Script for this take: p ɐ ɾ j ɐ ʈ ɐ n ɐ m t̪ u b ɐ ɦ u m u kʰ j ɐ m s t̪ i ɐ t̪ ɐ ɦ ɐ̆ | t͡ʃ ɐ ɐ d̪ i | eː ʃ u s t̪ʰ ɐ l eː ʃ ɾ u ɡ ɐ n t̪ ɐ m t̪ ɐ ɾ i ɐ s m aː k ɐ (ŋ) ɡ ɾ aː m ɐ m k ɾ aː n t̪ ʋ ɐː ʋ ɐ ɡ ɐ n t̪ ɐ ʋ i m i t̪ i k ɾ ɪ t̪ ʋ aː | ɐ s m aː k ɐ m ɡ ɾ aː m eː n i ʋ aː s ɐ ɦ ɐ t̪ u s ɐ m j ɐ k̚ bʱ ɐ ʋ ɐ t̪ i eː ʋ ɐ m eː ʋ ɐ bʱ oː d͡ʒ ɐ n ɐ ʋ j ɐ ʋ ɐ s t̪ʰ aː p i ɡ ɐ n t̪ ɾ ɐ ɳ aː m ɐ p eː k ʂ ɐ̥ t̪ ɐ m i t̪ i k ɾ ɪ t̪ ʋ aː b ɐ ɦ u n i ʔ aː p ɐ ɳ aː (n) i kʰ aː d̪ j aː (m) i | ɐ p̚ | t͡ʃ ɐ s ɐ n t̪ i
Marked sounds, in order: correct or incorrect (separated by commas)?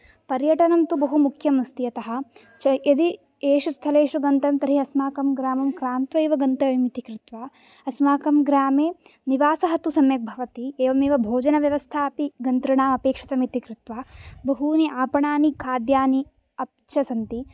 incorrect, correct, incorrect